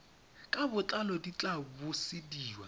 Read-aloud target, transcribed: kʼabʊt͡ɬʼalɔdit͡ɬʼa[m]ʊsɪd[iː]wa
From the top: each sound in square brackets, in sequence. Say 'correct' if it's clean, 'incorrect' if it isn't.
incorrect: b, correct

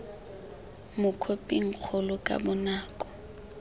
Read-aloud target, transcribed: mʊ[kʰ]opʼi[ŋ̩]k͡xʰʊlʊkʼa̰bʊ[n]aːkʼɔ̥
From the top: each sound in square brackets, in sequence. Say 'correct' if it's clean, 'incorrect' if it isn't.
correct, correct, correct

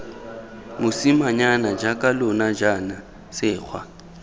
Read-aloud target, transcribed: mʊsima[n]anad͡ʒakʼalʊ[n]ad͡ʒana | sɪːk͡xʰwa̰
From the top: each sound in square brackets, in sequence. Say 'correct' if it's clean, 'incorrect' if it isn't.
incorrect: ɲ, correct

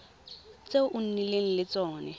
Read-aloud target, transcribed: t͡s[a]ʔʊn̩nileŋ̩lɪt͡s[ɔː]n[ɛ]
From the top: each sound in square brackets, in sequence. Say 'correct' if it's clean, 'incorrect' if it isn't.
incorrect: e, correct, correct

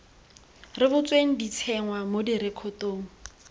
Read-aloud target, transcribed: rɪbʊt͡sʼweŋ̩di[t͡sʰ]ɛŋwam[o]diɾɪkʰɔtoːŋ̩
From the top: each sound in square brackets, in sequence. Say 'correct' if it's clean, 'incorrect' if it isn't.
correct, correct

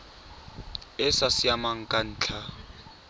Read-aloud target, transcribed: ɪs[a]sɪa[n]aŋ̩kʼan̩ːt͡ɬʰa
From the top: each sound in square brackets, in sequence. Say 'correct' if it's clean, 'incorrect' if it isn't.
correct, incorrect: m

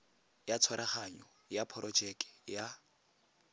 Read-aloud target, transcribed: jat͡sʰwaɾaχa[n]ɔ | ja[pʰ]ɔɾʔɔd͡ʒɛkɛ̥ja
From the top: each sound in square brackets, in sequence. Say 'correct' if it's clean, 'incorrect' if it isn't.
incorrect: ɲ, correct

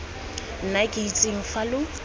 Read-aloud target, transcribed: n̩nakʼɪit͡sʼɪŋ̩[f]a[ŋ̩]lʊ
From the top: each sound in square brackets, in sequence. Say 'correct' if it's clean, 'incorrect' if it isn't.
correct, incorrect: none

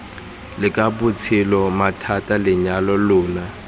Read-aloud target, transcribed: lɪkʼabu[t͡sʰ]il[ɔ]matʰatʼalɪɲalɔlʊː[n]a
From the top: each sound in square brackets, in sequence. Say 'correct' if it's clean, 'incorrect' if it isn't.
correct, correct, correct

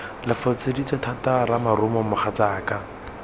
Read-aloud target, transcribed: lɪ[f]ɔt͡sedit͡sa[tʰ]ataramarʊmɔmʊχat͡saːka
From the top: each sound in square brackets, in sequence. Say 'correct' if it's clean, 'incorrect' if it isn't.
correct, correct

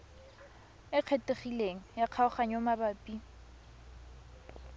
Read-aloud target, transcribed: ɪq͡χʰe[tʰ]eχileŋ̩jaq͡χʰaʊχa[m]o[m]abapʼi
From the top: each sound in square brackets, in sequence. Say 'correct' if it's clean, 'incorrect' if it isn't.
incorrect: t, incorrect: ɲ, correct

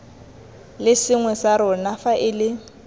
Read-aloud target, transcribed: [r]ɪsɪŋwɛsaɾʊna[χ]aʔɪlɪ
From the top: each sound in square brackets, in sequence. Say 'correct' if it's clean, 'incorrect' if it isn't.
incorrect: l, incorrect: f

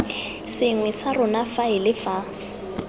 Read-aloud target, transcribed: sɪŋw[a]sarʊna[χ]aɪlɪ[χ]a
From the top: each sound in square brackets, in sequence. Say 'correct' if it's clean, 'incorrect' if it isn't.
incorrect: ɛ, incorrect: f, incorrect: f

